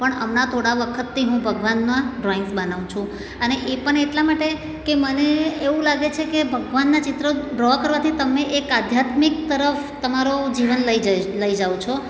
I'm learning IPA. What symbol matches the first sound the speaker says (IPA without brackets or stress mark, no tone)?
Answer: p